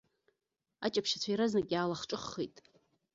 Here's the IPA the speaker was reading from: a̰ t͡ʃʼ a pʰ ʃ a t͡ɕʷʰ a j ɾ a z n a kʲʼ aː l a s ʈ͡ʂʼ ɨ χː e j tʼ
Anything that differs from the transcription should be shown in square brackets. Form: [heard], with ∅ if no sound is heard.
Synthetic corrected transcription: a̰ t͡ʃʼ a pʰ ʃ a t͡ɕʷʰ a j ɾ a z n a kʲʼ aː l a [χ] ʈ͡ʂʼ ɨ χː e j tʼ